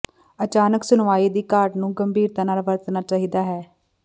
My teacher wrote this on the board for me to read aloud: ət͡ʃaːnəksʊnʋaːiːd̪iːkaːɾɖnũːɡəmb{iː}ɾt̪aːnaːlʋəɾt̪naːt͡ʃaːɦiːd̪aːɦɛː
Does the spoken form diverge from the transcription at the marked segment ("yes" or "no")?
no